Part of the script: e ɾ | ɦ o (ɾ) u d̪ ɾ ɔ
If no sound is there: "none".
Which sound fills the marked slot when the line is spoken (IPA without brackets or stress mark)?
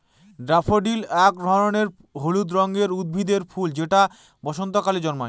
l